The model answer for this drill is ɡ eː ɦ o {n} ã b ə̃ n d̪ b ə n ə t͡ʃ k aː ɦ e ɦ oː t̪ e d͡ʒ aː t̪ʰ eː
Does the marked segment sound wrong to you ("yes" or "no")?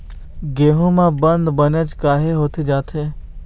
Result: yes